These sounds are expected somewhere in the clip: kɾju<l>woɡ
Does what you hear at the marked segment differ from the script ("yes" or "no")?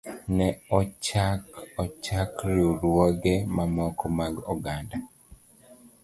yes